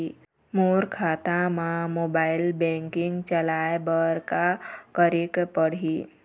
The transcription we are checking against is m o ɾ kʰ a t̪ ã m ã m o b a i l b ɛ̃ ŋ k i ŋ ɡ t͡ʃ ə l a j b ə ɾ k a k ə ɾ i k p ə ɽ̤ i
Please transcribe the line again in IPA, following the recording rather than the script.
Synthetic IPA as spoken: m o ɾ kʰ a t̪ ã m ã m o b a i l b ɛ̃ ŋ k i ŋ ɡ t͡ʃ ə l a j b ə ɾ k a k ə ɾ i k p ə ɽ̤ i